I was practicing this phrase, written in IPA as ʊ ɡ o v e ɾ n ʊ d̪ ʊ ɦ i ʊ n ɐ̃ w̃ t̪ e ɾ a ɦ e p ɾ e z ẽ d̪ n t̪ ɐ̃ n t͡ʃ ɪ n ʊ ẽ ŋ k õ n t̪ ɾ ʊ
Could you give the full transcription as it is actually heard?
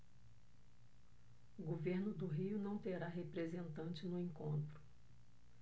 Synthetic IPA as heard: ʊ ɡ o v e ɾ n ʊ d̪ ʊ ɦ i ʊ n ɐ̃ w̃ t̪ e ɾ a ɦ e p ɾ e z ẽ n t̪ ɐ̃ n t͡ʃ ɪ n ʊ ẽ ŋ k õ n t̪ ɾ ʊ